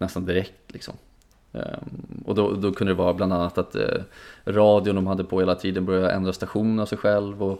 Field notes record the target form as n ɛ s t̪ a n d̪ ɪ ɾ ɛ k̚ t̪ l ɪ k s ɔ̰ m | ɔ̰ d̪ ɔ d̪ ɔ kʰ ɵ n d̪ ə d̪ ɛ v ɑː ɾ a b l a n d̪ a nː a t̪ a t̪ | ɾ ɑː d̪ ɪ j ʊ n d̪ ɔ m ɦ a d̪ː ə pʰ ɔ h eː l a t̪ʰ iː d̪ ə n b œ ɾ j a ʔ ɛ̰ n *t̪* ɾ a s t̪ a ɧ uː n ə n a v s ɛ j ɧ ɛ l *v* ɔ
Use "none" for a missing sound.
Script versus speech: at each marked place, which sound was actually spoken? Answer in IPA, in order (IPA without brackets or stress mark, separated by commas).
d̪, v